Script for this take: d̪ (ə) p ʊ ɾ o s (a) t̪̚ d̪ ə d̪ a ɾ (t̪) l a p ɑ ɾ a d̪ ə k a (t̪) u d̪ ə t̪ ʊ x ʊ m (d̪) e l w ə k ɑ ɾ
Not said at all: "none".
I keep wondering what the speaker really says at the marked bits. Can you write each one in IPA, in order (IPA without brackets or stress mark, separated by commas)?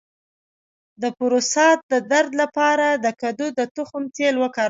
ə, ɑ, d̪, d̪, t̪